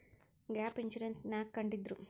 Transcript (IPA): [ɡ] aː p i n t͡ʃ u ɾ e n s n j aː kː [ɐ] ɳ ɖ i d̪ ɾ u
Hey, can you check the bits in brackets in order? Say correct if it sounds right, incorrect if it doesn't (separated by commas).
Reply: correct, correct